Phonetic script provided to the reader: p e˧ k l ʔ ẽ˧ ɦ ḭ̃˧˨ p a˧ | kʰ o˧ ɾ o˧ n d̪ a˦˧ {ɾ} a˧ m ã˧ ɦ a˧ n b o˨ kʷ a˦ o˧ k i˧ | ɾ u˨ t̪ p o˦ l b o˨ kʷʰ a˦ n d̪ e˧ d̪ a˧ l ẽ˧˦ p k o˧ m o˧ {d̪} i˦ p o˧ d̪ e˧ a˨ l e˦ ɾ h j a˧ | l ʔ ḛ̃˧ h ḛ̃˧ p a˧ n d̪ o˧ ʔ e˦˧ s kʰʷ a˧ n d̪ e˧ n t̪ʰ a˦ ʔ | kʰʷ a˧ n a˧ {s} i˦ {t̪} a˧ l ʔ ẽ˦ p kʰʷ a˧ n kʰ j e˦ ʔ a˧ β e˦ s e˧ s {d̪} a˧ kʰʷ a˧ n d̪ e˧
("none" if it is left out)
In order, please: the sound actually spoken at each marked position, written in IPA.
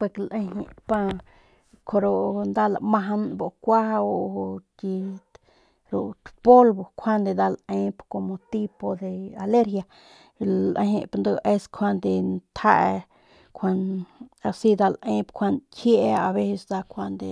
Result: l, t̪, s, d̪, d̪

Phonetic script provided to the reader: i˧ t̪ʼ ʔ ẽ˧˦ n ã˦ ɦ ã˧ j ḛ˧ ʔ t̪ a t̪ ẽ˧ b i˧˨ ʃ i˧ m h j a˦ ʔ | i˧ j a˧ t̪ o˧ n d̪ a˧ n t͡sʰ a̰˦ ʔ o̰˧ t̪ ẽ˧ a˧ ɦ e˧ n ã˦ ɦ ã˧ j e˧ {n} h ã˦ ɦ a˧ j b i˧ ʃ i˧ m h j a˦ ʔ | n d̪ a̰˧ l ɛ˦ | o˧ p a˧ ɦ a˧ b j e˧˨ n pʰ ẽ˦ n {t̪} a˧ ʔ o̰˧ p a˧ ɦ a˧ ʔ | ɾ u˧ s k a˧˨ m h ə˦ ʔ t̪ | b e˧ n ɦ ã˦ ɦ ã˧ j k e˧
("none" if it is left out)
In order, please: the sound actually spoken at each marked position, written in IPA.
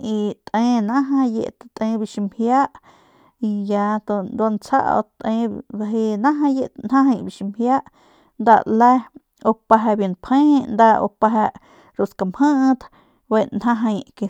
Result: n, d̪

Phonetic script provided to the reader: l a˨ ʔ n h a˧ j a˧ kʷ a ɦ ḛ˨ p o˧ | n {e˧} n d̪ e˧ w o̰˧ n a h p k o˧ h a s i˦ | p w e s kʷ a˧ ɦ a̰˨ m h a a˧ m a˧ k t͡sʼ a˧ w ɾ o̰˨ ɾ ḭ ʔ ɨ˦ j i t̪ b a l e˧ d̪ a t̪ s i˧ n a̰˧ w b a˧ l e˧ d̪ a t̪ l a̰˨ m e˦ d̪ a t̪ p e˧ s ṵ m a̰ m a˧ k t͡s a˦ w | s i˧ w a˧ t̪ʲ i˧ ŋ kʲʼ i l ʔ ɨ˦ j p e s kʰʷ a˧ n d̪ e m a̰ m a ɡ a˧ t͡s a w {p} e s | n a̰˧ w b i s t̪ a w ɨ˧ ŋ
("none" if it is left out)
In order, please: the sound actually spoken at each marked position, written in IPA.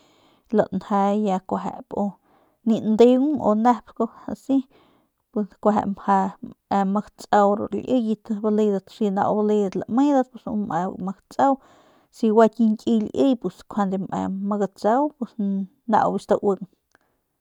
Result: i˧, p

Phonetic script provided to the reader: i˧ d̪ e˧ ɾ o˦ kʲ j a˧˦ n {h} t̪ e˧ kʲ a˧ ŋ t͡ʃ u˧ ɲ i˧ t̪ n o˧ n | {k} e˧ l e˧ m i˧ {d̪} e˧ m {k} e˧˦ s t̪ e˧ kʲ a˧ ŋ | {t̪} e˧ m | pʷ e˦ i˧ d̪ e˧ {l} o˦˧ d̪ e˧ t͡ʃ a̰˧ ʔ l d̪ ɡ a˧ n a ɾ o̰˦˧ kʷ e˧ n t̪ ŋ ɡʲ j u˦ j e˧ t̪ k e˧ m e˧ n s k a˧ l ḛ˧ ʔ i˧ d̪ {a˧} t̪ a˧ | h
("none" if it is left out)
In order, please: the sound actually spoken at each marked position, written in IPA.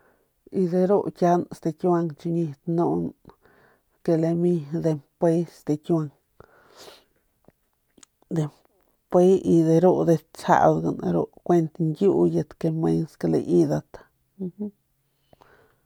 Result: s, k, d̪, p, d̪, ɾ, a˧

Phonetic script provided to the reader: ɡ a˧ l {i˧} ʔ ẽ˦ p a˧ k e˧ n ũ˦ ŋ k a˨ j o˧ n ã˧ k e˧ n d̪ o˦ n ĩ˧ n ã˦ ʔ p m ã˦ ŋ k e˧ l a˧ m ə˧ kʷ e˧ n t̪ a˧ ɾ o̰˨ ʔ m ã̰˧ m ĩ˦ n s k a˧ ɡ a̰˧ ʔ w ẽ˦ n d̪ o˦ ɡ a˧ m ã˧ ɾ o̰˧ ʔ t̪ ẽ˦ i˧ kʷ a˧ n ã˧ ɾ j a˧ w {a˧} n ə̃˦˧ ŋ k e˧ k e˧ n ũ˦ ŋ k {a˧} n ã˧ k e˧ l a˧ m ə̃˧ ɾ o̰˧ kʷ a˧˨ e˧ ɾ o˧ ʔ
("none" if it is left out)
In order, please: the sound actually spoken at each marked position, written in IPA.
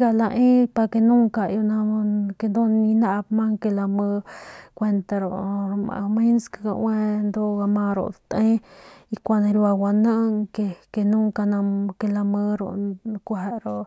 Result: a˧, a˧, a˧

